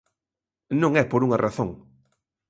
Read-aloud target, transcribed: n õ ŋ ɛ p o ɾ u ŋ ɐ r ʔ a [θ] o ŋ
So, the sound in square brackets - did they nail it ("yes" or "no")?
yes